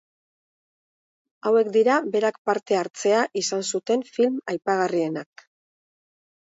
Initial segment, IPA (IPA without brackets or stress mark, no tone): a